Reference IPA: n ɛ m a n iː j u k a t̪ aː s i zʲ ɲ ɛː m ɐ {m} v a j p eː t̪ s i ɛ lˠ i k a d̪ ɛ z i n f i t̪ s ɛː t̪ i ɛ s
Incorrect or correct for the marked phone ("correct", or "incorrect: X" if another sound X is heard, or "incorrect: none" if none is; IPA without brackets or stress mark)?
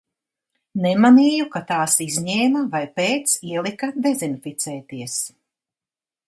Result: incorrect: none